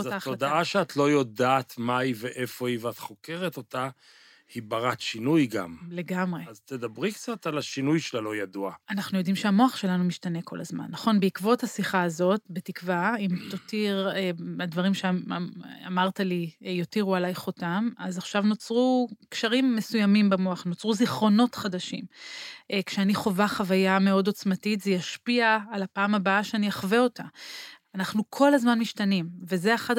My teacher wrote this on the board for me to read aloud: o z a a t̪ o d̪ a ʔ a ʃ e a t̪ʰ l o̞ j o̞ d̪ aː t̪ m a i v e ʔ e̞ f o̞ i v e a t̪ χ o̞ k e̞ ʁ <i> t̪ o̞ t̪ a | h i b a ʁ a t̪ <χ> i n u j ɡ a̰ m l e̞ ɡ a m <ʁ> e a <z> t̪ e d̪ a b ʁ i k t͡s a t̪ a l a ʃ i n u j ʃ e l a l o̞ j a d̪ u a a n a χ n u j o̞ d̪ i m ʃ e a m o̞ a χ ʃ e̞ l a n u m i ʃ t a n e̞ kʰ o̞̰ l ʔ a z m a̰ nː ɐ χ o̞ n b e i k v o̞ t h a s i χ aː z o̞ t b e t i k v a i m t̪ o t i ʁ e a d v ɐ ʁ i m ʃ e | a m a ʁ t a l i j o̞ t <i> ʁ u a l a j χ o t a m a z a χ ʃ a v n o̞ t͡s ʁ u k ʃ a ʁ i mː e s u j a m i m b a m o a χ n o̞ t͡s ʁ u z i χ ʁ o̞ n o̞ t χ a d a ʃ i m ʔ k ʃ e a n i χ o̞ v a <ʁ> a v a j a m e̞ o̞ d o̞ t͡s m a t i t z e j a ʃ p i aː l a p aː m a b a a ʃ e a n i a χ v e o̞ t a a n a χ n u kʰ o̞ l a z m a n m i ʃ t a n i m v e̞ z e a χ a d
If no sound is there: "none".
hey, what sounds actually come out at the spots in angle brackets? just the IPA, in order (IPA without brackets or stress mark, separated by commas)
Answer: e, ʃ, ʁ, z, i, χ